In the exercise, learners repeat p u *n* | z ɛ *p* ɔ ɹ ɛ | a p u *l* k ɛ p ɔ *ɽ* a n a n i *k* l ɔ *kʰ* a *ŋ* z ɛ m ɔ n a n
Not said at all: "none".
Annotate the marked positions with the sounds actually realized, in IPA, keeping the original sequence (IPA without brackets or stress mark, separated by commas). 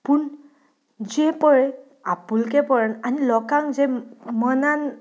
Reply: n, p, l, ɹ, none, k, ŋ